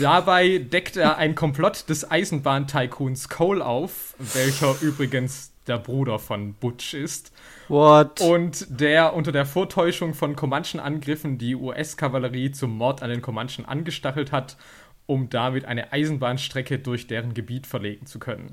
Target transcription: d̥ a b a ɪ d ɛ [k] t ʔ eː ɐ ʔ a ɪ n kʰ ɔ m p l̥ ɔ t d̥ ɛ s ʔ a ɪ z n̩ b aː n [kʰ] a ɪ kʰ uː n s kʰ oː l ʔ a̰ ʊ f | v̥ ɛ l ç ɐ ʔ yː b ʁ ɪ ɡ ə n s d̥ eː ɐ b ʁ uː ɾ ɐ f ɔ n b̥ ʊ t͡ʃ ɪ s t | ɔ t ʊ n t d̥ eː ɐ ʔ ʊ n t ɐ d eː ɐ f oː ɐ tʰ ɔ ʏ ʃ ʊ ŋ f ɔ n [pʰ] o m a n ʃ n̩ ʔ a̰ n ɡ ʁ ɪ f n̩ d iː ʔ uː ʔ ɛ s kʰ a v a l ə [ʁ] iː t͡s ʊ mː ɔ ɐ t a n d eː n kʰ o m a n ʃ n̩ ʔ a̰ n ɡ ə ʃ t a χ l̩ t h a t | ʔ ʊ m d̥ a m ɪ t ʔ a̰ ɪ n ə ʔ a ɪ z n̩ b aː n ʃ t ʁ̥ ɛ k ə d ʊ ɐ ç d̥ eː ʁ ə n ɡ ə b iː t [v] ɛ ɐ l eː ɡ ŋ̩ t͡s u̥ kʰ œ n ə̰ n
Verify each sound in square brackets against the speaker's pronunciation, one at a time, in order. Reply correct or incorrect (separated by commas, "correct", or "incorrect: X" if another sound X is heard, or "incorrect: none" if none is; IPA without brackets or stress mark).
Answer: correct, incorrect: tʰ, incorrect: kʰ, correct, incorrect: f